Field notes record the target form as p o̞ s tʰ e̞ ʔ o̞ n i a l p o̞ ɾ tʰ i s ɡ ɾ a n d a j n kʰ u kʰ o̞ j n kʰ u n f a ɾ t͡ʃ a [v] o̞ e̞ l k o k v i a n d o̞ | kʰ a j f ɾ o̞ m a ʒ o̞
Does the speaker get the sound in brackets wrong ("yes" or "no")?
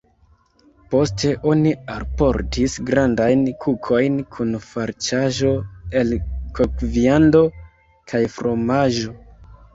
yes